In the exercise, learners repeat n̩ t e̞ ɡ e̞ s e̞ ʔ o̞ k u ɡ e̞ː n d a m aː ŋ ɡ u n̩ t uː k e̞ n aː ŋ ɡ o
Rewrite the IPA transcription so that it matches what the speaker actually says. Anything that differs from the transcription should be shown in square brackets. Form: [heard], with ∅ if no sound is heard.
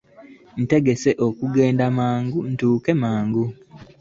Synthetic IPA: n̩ t e̞ ɡ e̞ s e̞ ʔ o̞ k u ɡ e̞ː n d a m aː ŋ ɡ u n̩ t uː k e̞ [m] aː ŋ ɡ [u]